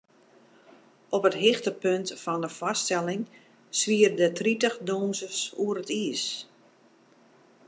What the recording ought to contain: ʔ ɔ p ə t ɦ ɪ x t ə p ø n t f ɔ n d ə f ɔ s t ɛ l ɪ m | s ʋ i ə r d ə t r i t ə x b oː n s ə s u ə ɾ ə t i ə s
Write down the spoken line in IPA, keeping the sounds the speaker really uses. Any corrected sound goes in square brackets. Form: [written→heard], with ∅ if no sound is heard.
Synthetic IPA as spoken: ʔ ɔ p ə t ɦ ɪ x t ə p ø n t f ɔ n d ə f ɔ s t ɛ l ɪ [m→ŋ] | s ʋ i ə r d ə t r i t ə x [b→d] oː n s ə s u ə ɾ ə t i ə s

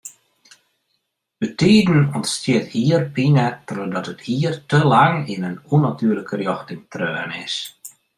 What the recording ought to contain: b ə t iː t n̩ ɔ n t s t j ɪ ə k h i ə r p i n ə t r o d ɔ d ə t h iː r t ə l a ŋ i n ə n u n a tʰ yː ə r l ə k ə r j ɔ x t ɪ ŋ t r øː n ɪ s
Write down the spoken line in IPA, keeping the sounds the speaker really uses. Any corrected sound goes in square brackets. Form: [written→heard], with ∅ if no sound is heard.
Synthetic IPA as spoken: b ə t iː [t→d] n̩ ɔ n t s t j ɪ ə [k→t] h i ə r p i n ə t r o d ɔ [d→t] ə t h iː r t ə l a ŋ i n ə n u n a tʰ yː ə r l ə k ə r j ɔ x t ɪ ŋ t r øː n ɪ s

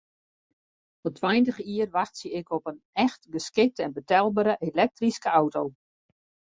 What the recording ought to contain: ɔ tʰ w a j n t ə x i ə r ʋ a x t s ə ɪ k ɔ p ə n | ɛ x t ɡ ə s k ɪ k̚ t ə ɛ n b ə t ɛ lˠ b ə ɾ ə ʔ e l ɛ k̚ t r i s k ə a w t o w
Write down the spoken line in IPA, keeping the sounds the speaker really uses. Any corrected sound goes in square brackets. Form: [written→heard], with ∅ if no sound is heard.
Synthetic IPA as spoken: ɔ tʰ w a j n t ə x i ə r ʋ a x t s ə ɪ k ɔ p ə n | ɛ x t ɡ ə s k ɪ k̚ t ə ɛ n b ə t ɛ lˠ b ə ɾ ə ʔ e l ɛ k̚ t r i s k ə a w t o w

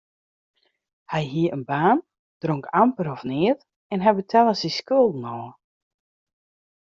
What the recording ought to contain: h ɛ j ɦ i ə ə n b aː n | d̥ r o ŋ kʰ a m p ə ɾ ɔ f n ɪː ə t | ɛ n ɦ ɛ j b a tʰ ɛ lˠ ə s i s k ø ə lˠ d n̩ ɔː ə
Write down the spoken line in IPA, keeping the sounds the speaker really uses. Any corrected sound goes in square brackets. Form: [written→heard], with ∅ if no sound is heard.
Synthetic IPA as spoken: h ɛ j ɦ i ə ə n b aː n | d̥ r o ŋ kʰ a m p ə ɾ ɔ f n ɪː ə t | ɛ n ɦ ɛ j b [a→ə] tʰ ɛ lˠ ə s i s k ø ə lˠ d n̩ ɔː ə

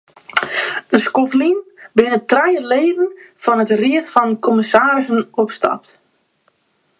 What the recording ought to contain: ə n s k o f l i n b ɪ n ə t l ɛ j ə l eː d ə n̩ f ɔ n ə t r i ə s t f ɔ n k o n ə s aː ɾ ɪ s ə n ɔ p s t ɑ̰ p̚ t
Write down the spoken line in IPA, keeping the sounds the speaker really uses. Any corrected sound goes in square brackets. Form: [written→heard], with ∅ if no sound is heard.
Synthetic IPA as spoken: ə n s k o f l i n b ɪ n ə t [l→r] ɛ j ə l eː d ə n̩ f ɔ n ə t r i ə [s→∅] t f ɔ n k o [n→m] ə s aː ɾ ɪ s ə n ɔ p s t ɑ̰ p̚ t

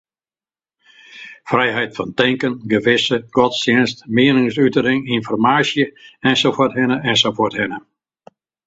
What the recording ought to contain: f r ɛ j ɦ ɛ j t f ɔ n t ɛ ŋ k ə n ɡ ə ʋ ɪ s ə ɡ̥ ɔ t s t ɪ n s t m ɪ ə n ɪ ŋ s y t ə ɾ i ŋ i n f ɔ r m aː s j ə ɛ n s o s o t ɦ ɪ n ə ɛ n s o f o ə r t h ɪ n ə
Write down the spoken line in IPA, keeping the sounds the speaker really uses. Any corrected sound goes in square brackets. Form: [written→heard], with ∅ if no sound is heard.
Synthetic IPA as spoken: f r ɛ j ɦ ɛ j t f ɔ n t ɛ ŋ k ə n ɡ ə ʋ ɪ s ə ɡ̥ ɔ t s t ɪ n s t m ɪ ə n ɪ ŋ s y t ə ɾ [i→ɪ] ŋ i n f ɔ r m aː s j ə ɛ n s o [s→f] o t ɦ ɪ n ə ɛ n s o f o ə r t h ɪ n ə

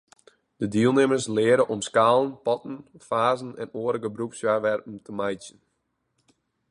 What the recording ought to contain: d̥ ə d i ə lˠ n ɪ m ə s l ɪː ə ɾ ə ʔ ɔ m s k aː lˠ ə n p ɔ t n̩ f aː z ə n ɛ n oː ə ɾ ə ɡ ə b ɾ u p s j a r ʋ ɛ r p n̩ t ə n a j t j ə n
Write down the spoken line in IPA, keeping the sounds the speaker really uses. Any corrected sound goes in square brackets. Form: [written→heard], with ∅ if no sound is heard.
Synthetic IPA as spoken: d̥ ə d i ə lˠ n ɪ m ə s l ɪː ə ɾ ə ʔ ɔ m s k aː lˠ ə n p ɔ t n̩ f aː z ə n ɛ n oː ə ɾ ə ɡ ə b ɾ u p s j a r ʋ ɛ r p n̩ t ə [n→m] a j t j ə n

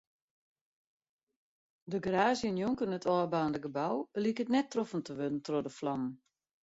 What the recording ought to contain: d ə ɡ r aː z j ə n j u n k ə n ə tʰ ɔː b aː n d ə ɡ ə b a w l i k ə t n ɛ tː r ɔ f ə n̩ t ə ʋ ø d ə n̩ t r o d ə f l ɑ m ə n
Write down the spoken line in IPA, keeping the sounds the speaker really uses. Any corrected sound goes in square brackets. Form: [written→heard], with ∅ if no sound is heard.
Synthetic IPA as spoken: d ə ɡ r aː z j ə n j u [n→ŋ] k ə n ə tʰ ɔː b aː n d ə ɡ ə b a w l i k ə t n ɛ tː r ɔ f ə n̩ t ə ʋ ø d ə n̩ t r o d ə f l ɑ m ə n

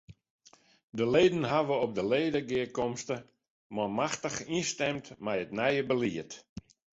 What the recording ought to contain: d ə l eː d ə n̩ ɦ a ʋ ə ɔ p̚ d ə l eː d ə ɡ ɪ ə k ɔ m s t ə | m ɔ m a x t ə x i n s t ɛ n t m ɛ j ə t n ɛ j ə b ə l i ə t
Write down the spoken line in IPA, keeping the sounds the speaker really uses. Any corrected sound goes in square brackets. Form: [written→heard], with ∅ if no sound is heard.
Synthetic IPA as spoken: d ə l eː d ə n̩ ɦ a ʋ ə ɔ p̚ d ə l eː d ə ɡ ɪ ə k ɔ m s t ə | m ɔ m a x t ə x i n s t ɛ [n→m] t m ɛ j ə t n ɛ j ə b ə l i ə t

